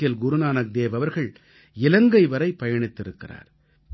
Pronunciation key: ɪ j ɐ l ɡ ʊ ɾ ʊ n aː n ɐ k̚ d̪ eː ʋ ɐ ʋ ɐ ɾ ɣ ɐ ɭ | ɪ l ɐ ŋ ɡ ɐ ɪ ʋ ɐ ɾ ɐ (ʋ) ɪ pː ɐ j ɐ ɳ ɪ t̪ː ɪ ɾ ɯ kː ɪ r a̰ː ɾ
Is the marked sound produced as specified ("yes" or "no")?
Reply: no